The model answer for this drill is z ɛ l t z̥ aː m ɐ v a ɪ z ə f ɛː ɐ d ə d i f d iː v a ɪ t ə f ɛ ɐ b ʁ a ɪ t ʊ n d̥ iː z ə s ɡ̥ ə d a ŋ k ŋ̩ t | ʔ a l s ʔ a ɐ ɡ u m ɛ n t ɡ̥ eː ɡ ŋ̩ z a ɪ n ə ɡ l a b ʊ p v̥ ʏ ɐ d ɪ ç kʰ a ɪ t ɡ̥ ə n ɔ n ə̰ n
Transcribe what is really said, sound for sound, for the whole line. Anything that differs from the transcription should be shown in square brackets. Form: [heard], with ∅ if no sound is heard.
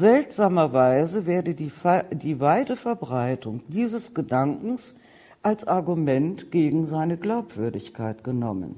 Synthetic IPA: z ɛ l t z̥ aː m ɐ v a ɪ z ə [v] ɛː ɐ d ə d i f d iː v a ɪ t ə f ɛ ɐ b ʁ a ɪ t ʊ [ŋ] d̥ iː z ə s ɡ̥ ə d a ŋ k ŋ̩ [s] | ʔ a l s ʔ a ɐ ɡ u m ɛ n t ɡ̥ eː ɡ ŋ̩ z a ɪ n ə ɡ l a [∅] ʊ p v̥ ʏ ɐ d ɪ ç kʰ a ɪ t ɡ̥ ə n ɔ [m] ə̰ n